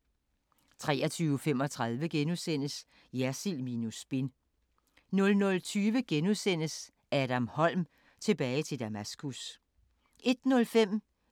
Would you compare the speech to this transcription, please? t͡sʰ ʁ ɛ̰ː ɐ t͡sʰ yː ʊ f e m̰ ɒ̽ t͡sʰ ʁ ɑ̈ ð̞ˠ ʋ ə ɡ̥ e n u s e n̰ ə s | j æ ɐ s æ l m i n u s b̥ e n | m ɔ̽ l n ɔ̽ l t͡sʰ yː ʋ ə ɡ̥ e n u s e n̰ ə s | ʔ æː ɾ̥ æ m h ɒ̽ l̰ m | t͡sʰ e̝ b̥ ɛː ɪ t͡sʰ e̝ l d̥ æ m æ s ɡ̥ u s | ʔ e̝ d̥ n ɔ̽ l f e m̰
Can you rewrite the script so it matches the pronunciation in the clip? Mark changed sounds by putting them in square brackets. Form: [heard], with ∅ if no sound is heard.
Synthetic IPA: t͡sʰ ʁ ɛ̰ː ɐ t͡sʰ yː ʊ f e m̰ ɒ̽ t͡sʰ ʁ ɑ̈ ð̞ˠ ʋ ə ɡ̥ e n u s e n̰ ə s | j æ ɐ s [i] l m i n u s b̥ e n | [n] ɔ̽ l n ɔ̽ l t͡sʰ yː ʋ ə ɡ̥ e n u s e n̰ ə s | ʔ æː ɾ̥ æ m h ɒ̽ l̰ m | t͡sʰ e̝ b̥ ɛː ɪ t͡sʰ e̝ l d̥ æ m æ s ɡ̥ u s | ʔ e̝ d̥ n ɔ̽ l f e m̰